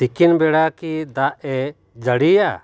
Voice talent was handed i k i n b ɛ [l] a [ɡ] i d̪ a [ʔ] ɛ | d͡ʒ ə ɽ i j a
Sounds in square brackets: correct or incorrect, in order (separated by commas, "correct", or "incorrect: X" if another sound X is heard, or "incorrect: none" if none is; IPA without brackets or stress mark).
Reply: incorrect: ɽ, incorrect: k, correct